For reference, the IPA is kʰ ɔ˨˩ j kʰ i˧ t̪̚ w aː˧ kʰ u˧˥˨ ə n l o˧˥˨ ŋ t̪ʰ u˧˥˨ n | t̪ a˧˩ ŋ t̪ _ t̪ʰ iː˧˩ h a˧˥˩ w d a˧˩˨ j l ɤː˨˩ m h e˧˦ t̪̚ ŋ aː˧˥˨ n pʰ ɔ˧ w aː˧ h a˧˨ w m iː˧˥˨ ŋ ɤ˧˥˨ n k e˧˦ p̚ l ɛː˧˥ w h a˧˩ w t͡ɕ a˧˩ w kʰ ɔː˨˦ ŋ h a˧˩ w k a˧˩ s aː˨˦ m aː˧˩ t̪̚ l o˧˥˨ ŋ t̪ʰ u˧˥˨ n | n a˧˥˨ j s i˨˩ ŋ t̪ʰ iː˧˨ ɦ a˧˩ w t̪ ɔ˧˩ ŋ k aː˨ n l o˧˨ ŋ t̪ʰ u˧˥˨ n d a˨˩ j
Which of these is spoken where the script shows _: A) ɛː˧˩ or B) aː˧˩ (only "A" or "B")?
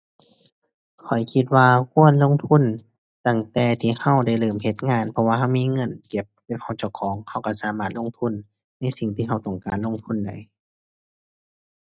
A